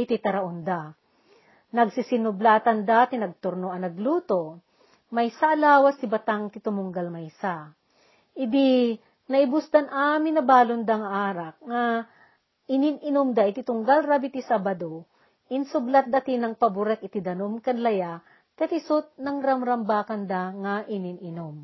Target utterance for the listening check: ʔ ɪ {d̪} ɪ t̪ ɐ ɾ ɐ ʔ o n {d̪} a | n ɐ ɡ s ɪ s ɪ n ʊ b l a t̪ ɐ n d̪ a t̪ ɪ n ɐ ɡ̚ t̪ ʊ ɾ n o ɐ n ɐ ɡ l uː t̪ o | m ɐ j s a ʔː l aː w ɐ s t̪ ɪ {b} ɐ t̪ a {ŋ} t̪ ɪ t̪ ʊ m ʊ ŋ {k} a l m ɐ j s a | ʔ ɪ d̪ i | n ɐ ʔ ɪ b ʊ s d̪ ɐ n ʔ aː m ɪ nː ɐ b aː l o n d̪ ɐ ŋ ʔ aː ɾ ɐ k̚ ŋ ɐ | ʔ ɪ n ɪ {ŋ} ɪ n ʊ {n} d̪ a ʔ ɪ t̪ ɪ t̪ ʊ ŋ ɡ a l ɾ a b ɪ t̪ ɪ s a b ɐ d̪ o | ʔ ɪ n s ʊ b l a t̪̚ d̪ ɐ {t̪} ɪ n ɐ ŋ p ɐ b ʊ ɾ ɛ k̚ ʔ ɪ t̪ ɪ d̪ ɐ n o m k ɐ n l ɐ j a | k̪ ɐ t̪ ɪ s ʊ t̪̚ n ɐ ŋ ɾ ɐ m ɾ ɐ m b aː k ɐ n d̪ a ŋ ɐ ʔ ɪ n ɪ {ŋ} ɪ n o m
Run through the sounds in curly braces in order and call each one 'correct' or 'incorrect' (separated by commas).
incorrect, correct, correct, correct, incorrect, incorrect, incorrect, correct, incorrect